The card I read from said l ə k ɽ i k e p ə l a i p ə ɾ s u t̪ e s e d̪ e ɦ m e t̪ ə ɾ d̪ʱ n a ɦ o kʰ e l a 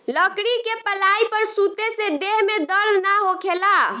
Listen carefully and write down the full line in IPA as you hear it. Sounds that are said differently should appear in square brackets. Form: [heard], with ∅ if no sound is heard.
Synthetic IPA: l ə k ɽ i k e p ə l a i p ə ɾ s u t̪ e s e d̪ e ɦ m e [d̪] ə ɾ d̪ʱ n a ɦ o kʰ e l a